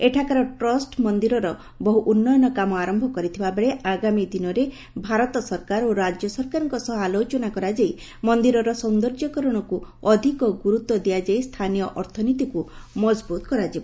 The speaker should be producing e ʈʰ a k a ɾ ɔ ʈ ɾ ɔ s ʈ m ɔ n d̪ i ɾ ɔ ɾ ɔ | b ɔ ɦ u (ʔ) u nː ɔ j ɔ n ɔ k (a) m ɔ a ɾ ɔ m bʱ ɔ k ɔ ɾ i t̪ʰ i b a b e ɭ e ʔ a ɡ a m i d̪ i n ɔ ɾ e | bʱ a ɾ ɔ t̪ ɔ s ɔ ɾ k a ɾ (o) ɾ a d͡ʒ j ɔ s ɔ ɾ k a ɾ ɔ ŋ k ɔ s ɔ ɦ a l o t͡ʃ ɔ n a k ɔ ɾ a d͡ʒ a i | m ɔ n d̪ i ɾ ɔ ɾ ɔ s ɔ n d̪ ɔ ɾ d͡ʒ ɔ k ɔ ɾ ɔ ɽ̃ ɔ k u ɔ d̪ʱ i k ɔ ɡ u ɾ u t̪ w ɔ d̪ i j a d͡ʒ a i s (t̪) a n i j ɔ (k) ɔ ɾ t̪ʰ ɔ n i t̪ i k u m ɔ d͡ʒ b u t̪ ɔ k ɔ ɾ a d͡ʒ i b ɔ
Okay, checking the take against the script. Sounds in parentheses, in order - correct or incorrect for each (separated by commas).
correct, correct, correct, incorrect, incorrect